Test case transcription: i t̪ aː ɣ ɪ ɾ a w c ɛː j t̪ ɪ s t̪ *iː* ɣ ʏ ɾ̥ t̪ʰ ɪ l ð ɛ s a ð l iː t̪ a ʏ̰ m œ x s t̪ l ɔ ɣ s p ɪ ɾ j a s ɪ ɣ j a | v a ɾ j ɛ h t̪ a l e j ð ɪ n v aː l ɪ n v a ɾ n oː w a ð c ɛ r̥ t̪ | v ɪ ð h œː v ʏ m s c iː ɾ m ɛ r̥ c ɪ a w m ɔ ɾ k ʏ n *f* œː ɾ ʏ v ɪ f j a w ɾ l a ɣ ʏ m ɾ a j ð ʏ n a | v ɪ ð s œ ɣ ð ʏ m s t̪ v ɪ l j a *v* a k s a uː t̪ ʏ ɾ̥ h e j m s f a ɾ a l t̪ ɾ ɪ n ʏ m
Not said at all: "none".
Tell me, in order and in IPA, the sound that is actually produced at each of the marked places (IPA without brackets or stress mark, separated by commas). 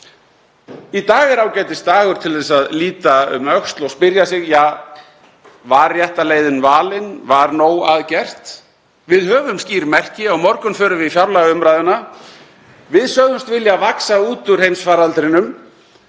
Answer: aː, f, v